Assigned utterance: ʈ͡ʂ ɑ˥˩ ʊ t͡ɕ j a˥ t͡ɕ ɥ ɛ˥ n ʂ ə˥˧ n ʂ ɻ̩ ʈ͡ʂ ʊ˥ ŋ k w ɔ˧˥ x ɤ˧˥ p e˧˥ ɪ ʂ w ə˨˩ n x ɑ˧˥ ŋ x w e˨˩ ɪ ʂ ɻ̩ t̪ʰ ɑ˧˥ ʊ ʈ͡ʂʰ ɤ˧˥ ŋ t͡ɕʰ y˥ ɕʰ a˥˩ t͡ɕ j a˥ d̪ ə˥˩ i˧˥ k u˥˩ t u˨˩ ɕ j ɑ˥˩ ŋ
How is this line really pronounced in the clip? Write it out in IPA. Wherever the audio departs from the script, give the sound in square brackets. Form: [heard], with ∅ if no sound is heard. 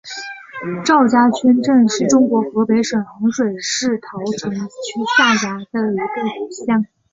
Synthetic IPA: ʈ͡ʂ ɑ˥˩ ʊ t͡ɕ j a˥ [t͡ɕʰ] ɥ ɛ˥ n [ʈ͡ʂ] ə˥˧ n ʂ ɻ̩ ʈ͡ʂ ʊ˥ ŋ k w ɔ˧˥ x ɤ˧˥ p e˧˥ ɪ ʂ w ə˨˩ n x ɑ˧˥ ŋ [ʂ] w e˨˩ ɪ ʂ ɻ̩ t̪ʰ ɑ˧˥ ʊ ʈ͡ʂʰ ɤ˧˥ ŋ t͡ɕʰ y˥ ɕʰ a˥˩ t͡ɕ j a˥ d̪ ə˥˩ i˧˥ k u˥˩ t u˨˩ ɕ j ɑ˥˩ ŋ